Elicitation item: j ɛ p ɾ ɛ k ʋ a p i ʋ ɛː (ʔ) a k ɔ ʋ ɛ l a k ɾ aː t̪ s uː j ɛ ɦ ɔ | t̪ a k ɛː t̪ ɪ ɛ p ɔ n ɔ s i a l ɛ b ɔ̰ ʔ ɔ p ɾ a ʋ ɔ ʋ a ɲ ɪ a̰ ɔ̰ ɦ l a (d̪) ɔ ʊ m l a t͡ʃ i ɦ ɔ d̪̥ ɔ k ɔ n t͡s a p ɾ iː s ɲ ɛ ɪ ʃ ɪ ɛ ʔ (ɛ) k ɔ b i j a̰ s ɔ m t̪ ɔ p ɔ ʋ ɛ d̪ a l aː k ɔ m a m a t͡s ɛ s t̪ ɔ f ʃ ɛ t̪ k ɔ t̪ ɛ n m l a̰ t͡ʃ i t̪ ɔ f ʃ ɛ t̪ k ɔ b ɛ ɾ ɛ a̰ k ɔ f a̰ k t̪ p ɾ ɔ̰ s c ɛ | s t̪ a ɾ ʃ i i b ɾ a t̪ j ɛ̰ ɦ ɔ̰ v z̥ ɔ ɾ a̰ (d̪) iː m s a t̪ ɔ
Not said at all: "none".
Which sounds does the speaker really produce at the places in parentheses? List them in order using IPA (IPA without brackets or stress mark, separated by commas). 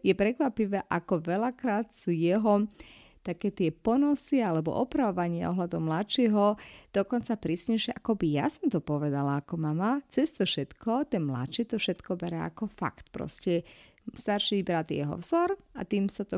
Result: ʔ, d̪, a, t̪